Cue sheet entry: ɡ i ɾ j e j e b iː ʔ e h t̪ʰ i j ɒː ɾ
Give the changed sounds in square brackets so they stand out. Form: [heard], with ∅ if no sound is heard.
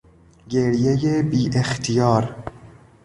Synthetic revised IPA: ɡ [e] ɾ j e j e b iː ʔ e [x] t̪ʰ i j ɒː ɾ